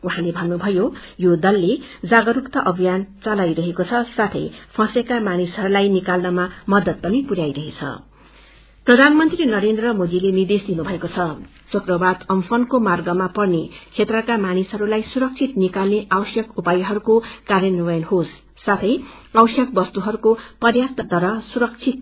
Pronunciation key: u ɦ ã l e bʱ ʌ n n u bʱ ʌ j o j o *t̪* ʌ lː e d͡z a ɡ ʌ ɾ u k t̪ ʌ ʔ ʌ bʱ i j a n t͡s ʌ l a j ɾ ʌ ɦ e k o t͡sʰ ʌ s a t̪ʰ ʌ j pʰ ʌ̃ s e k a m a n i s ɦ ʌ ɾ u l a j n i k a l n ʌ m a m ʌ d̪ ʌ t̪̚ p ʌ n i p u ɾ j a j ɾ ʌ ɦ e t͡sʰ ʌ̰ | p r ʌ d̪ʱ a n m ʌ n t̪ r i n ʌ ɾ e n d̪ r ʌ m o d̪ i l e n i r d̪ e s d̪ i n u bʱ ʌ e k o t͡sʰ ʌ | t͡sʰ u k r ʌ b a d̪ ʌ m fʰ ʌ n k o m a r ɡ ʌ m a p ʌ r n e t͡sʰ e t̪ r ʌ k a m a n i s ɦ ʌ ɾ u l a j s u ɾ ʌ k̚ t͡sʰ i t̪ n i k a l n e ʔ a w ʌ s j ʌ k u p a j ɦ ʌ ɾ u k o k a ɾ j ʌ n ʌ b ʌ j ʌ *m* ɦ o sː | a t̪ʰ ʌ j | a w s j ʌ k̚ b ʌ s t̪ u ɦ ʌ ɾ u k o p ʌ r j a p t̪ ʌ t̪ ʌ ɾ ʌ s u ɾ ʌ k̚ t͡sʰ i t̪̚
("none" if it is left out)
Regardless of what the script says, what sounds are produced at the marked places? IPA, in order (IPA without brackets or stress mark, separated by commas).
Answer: d̪, n